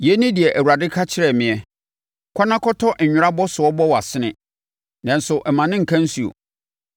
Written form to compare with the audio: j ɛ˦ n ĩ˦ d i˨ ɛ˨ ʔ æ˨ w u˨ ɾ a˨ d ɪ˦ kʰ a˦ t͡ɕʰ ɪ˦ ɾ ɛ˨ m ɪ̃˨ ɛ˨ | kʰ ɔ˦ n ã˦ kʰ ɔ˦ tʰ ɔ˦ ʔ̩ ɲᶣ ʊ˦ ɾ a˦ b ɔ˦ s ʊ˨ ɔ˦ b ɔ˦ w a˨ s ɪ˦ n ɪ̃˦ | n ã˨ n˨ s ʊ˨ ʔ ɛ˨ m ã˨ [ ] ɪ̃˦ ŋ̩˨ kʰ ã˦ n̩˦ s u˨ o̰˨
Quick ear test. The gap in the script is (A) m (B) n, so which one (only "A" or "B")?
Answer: B